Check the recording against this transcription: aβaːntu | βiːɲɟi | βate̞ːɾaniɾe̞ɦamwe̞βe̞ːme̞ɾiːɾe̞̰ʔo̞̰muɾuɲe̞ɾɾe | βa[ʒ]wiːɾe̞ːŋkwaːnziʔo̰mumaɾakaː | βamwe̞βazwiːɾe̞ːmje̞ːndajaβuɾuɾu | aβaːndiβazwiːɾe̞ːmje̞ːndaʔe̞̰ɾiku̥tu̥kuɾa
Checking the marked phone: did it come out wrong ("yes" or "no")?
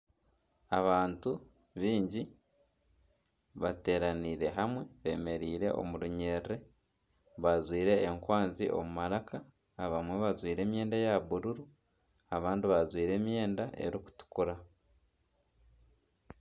yes